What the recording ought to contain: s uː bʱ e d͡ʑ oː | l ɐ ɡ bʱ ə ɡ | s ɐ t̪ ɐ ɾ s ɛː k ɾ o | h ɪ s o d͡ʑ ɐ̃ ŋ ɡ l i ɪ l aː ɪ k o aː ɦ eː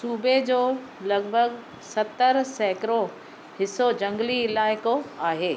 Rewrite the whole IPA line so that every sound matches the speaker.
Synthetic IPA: s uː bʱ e d͡ʑ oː | l ɐ ɡ bʱ ə ɡ | s ɐ t̪ ə ɾ s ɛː k ɾ o | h ɪ s o d͡ʑ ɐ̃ ŋ ɡ l i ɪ l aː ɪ k o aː ɦ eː